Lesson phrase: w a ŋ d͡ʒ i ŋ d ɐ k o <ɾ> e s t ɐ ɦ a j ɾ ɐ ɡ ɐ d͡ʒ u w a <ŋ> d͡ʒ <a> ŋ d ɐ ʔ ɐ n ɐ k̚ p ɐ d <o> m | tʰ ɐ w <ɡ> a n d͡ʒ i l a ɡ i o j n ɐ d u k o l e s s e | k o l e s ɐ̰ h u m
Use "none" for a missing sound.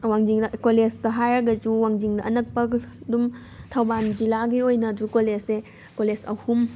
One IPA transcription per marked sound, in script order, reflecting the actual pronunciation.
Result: l, ŋ, i, u, b

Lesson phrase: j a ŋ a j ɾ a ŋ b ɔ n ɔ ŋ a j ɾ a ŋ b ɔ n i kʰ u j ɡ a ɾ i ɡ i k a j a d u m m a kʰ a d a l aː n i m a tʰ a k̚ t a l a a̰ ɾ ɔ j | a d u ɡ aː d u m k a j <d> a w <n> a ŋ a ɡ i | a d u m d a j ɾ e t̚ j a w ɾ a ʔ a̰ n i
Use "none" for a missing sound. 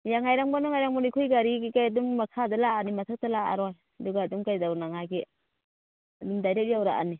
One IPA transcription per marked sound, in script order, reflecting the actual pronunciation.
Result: d, n

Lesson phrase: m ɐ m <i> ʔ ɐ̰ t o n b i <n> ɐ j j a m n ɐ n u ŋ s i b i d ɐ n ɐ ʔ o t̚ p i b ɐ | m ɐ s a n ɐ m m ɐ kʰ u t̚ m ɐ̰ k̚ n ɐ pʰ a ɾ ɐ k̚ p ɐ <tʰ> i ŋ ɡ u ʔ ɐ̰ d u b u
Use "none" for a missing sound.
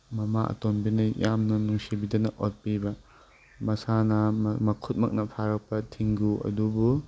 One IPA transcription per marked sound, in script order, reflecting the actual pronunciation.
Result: a, n, tʰ

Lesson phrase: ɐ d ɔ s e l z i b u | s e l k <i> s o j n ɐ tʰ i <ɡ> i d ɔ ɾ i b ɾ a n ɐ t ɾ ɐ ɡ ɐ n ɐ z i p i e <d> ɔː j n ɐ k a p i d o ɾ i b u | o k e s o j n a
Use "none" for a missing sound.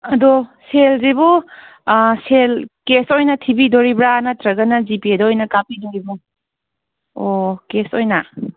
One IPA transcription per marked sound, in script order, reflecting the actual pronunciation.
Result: e, b, d

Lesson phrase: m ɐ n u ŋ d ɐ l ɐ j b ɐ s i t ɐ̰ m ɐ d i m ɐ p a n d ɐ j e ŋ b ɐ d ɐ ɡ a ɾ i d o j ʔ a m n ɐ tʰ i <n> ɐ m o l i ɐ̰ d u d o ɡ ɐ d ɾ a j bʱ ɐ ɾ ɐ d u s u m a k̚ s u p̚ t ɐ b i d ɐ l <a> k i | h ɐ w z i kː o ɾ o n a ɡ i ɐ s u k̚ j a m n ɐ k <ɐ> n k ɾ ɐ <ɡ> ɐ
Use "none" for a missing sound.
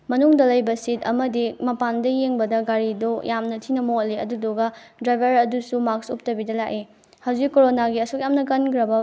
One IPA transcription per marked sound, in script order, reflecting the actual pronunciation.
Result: n, a, ɐ, b

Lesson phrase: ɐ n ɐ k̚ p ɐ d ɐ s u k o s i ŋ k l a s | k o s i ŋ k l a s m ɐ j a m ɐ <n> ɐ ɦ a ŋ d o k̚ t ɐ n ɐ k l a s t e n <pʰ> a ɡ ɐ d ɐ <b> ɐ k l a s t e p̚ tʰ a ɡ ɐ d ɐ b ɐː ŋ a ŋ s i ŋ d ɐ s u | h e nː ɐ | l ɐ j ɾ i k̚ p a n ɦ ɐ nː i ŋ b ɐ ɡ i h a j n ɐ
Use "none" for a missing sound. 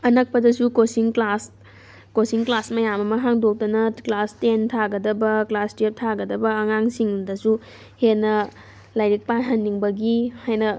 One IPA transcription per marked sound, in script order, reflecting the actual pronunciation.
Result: m, tʰ, b

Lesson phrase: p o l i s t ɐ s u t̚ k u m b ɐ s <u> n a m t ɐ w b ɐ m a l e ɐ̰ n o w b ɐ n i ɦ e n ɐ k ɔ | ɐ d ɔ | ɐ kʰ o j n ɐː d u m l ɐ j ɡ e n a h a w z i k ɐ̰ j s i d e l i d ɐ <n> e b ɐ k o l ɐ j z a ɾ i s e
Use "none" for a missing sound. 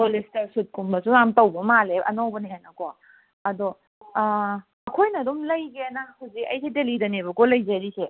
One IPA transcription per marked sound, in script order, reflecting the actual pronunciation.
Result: u, n

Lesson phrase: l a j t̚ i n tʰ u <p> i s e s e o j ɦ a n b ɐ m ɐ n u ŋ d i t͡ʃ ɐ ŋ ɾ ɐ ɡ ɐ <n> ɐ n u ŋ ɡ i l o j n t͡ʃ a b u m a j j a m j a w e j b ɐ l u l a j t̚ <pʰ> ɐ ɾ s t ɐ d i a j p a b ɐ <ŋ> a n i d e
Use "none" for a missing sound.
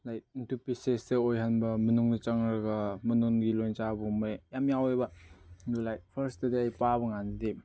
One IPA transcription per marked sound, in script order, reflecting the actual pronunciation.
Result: p, m, pʰ, ŋ

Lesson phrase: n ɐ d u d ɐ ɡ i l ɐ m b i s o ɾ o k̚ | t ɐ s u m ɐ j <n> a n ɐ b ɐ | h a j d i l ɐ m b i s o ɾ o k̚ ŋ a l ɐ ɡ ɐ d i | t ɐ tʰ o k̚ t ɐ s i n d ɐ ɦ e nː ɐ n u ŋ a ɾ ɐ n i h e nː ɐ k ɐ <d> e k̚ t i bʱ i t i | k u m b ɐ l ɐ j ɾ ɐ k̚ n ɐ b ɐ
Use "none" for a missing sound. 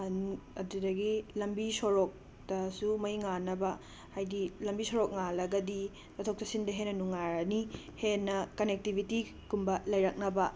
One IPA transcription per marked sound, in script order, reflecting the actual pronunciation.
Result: ŋ, n

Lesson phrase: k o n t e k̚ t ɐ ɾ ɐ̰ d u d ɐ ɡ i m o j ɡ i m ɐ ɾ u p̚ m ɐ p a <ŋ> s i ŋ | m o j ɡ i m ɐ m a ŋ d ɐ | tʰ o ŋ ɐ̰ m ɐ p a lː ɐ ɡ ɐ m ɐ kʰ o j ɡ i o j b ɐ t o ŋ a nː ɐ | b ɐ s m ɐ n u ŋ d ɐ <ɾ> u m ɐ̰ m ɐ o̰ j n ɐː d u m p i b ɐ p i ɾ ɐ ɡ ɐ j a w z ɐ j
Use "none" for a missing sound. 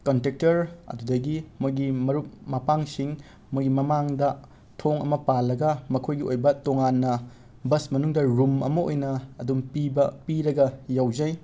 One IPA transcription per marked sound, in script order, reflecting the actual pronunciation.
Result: ŋ, ɾ

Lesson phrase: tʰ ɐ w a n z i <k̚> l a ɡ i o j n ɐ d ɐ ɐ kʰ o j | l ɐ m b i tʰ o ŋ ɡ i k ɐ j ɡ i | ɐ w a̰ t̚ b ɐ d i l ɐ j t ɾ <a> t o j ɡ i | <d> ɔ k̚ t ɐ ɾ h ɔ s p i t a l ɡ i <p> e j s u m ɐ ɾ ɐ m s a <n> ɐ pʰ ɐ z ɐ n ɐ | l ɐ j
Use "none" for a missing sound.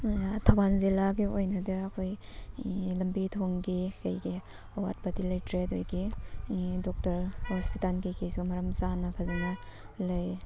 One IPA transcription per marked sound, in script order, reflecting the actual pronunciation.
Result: none, e, d, k, n

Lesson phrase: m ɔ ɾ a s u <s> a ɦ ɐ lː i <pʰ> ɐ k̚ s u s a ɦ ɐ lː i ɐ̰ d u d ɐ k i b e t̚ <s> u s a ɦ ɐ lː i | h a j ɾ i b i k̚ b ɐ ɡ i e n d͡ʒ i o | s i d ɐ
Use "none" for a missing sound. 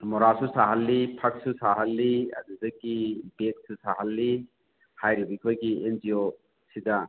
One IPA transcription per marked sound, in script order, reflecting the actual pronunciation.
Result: s, pʰ, s

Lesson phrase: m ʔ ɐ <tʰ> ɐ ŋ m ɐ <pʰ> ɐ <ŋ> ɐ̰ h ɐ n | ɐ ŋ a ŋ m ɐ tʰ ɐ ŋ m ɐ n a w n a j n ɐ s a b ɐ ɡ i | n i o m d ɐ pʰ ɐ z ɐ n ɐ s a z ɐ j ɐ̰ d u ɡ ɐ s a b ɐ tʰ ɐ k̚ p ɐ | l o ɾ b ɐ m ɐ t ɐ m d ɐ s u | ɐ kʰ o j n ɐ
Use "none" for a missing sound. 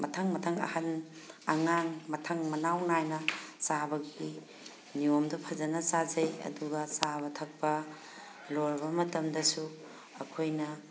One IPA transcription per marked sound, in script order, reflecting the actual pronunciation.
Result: tʰ, tʰ, ŋ

